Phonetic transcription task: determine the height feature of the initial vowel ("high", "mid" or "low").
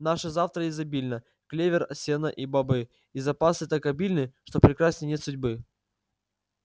low